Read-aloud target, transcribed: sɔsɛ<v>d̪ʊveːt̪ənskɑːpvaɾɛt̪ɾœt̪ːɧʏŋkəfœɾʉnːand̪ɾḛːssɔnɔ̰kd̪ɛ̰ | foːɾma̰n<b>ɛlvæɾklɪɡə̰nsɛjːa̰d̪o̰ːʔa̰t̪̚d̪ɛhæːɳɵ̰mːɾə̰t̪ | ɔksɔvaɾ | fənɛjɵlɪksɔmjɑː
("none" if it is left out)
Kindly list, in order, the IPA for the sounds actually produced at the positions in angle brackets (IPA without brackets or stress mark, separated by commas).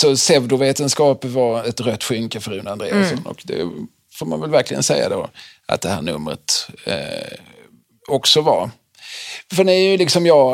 v, v